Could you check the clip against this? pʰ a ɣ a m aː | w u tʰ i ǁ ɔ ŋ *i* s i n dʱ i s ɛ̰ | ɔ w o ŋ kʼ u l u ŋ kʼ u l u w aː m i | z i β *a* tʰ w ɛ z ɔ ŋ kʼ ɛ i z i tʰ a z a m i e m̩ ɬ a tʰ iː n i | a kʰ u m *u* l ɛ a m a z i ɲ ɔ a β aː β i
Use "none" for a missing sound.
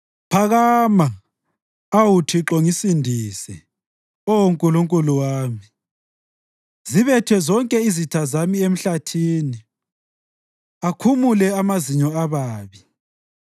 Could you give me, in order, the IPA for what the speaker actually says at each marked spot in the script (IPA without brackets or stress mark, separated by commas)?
i, ɛ, u